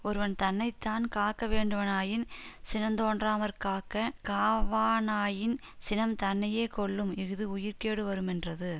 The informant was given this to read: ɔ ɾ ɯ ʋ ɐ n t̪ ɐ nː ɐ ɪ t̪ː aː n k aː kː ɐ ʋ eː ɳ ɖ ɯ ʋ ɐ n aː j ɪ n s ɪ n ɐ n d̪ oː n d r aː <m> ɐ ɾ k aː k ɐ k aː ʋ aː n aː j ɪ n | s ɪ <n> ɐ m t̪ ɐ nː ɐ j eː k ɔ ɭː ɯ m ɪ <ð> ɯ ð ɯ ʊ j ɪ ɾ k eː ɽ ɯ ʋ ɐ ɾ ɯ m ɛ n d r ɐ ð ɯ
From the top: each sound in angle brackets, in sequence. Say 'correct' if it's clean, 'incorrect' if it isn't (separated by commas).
correct, correct, incorrect